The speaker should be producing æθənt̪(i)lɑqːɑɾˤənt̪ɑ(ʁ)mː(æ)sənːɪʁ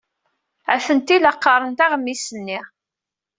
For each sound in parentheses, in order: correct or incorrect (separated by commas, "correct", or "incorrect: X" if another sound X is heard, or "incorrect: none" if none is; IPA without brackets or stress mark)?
correct, correct, incorrect: i